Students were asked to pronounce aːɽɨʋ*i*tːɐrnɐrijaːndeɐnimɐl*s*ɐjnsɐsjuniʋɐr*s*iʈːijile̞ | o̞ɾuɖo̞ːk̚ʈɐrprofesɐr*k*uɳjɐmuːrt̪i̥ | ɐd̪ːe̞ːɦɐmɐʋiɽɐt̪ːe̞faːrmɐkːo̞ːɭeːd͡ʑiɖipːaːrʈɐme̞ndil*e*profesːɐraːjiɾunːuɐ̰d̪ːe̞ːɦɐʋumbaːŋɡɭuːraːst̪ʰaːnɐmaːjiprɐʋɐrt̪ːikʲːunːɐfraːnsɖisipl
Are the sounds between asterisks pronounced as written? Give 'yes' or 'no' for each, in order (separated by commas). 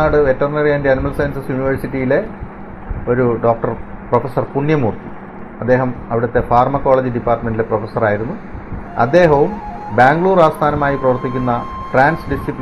no, yes, yes, no, yes